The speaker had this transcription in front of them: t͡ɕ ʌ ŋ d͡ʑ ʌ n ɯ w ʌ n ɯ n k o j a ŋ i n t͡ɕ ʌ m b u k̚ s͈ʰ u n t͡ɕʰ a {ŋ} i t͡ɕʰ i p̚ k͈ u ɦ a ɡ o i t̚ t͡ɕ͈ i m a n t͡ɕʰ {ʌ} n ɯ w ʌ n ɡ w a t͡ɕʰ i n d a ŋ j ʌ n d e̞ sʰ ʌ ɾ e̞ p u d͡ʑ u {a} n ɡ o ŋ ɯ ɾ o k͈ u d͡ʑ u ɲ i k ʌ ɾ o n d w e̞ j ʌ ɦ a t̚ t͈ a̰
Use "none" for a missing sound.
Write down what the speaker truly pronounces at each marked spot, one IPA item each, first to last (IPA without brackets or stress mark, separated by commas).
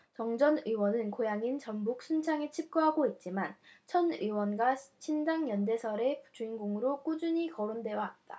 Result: ŋ, ʌ, i